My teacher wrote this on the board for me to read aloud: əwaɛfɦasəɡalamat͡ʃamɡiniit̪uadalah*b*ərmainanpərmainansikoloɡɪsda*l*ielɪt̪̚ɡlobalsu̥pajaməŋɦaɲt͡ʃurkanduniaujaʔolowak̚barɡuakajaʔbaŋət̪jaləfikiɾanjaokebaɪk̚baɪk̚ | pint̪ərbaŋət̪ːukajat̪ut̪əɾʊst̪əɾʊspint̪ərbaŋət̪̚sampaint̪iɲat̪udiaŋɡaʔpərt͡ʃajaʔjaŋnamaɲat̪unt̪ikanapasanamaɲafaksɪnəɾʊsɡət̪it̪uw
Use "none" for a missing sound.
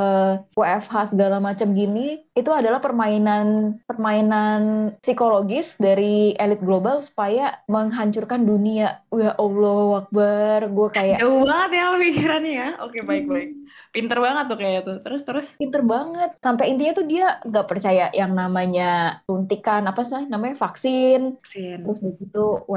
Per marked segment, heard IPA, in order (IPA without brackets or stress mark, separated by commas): p, ɾ